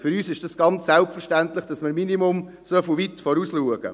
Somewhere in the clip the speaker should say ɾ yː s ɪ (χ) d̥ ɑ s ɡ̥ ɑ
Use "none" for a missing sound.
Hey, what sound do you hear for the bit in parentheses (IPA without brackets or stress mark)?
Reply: ʃ